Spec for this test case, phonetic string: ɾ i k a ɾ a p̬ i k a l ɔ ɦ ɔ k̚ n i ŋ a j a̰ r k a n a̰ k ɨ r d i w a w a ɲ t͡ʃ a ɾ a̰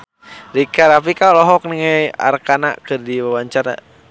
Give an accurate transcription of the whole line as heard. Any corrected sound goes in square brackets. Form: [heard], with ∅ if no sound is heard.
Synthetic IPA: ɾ i k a ɾ a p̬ i k a l ɔ ɦ ɔ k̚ n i ŋ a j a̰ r k a n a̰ k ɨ r d i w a w a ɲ t͡ʃ a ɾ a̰